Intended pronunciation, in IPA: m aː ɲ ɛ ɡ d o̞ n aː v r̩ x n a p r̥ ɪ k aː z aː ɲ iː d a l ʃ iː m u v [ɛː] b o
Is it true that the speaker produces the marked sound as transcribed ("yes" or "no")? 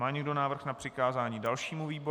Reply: no